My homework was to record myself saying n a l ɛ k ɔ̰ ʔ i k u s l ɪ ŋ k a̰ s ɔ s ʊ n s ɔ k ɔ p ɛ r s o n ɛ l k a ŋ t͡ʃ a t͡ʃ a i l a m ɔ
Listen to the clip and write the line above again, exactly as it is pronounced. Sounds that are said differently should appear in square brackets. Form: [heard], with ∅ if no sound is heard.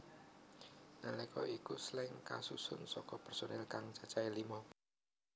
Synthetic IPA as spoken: n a l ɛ k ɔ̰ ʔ i k u s l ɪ ŋ k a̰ s [u] s ʊ n s ɔ k ɔ p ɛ r s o n ɛ l k a ŋ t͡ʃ a t͡ʃ a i l [i] m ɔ